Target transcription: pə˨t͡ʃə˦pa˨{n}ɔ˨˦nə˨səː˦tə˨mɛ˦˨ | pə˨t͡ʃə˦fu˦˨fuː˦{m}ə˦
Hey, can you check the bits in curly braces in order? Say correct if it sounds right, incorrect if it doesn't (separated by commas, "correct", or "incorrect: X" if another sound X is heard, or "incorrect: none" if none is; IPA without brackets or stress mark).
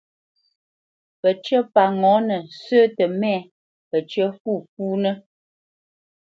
incorrect: ŋ, incorrect: n